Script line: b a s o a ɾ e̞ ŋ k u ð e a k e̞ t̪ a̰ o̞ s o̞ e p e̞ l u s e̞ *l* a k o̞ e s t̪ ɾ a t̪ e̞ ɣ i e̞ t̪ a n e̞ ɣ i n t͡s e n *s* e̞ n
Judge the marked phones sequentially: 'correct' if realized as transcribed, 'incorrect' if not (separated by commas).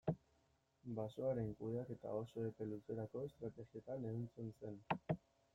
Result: incorrect, correct